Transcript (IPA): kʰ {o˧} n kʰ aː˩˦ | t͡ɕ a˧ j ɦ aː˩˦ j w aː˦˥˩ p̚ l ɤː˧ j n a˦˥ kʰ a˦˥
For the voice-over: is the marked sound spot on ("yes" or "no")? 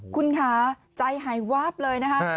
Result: no